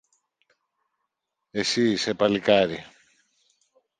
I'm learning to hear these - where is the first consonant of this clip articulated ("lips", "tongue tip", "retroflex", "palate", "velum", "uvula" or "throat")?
tongue tip